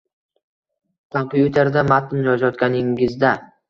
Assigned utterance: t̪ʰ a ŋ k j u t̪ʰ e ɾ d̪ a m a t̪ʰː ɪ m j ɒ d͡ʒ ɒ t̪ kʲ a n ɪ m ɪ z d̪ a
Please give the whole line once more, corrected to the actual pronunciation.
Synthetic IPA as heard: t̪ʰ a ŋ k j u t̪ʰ e ɾ d̪ a m a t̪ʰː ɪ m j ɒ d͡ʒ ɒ t̪ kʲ a n ɪ ŋ ɪ z d̪ a